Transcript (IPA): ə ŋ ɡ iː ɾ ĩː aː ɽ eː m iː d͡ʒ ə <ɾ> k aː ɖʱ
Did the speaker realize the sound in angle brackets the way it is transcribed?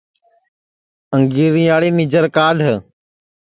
yes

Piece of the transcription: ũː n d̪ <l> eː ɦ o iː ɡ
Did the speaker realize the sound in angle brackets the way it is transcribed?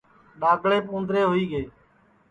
no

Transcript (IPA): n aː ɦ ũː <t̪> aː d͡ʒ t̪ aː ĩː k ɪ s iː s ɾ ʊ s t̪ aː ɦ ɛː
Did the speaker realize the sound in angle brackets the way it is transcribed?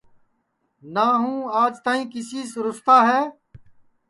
no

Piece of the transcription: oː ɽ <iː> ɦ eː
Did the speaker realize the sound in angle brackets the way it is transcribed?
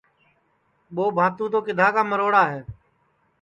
no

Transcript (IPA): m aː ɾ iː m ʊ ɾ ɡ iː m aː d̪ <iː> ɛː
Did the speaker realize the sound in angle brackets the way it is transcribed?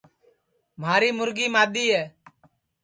yes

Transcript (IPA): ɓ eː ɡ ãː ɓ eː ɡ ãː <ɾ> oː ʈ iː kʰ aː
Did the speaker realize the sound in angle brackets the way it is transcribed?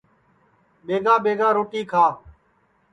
yes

